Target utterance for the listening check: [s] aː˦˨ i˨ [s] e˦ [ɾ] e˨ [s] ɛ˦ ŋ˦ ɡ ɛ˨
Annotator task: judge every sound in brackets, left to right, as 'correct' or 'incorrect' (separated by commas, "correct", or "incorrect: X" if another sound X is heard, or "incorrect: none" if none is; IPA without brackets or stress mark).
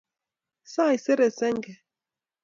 correct, correct, correct, correct